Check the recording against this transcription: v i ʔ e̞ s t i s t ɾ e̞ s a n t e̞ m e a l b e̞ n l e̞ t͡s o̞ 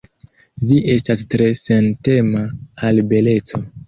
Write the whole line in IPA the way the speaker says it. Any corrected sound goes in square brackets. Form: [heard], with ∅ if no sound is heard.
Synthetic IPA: v i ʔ e̞ s t [a] s t ɾ e̞ s [e] n t e̞ m [a] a l b e̞ [∅] l e̞ t͡s o̞